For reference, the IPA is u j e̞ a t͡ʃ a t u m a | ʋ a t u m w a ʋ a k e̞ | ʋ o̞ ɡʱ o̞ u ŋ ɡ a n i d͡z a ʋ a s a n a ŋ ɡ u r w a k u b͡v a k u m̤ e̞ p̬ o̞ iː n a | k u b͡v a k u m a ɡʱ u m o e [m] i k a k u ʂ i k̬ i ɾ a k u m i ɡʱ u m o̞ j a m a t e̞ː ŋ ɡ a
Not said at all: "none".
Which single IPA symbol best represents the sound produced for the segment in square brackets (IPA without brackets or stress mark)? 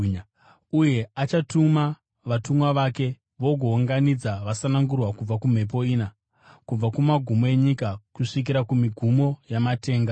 ɲ